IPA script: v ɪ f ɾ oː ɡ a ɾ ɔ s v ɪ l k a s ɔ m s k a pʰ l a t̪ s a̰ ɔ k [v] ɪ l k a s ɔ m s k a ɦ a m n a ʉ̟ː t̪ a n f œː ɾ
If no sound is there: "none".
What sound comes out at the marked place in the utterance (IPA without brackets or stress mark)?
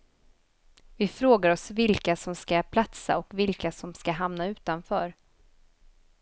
v